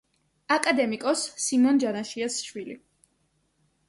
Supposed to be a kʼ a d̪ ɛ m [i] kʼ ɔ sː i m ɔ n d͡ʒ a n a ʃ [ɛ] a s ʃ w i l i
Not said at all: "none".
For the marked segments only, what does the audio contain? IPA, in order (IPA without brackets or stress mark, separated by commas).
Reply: i, i